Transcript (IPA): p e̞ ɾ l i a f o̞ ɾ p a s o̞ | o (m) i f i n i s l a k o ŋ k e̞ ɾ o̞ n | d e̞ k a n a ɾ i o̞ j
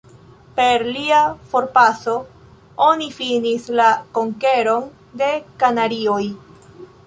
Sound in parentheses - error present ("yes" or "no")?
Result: yes